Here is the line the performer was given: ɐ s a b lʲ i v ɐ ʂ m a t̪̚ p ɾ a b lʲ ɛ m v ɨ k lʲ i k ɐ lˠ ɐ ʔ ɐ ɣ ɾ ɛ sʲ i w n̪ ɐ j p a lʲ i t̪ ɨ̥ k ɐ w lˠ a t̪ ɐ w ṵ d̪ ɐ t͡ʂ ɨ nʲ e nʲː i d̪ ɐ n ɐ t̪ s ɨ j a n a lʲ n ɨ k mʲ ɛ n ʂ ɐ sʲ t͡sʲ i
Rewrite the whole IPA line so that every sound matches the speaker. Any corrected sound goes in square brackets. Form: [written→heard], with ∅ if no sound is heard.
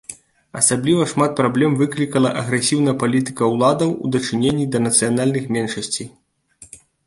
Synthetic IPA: ɐ s a b lʲ i v ɐ ʂ m a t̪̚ p ɾ a b lʲ ɛ m v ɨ k lʲ i k ɐ lˠ ɐ ʔ ɐ ɣ ɾ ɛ sʲ i w n̪ ɐ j p a lʲ i t̪ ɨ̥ k ɐ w lˠ a [t̪→d̪] ɐ w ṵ d̪ ɐ t͡ʂ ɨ nʲ e nʲː i d̪ ɐ n ɐ t̪ s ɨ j a n a lʲ n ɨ [k→x] mʲ ɛ n ʂ ɐ sʲ t͡sʲ i